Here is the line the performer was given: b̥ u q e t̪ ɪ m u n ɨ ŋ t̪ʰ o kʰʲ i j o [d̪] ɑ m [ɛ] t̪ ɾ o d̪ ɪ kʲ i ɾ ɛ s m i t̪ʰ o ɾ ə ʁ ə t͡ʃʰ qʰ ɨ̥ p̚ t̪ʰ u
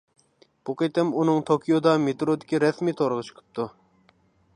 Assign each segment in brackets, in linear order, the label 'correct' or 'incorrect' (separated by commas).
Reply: correct, incorrect